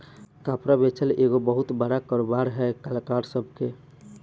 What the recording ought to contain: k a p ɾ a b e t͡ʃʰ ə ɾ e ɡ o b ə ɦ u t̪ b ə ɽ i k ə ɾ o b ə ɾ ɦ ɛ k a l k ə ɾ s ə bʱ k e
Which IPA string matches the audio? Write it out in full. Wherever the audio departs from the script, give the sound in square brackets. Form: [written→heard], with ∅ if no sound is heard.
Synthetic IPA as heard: k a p ɾ a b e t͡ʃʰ ə [ɾ→l] e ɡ o b ə ɦ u t̪ b ə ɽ [i→a] k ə ɾ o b [ə→a] ɾ ɦ ɛ k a l k [ə→a] ɾ s ə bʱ k e